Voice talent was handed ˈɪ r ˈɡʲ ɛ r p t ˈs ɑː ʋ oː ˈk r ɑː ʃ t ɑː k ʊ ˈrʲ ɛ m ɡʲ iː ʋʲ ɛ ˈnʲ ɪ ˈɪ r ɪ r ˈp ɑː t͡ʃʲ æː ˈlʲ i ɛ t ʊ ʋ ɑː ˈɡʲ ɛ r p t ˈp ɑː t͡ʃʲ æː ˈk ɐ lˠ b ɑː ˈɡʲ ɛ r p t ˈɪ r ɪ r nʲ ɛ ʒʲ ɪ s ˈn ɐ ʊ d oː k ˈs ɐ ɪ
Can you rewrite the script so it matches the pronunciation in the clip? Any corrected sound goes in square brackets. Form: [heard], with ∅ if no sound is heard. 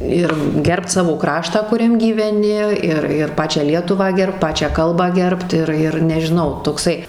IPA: ˈɪ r ˈɡʲ ɛ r p t ˈs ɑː ʋ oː ˈk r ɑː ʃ t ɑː k ʊ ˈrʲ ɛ m ɡʲ iː ʋʲ ɛ ˈnʲ ɪ ˈɪ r ɪ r ˈp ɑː t͡ʃʲ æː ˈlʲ i ɛ t ʊ ʋ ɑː ˈɡʲ ɛ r p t ˈp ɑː t͡ʃʲ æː ˈk ɐ lˠ b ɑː ˈɡʲ ɛ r p t ˈɪ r ɪ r nʲ ɛ ʒʲ ɪ [∅] ˈn ɐ ʊ [t] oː k ˈs ɐ ɪ